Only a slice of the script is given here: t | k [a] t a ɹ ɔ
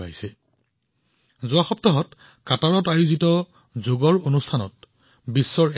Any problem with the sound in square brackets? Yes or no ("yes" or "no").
no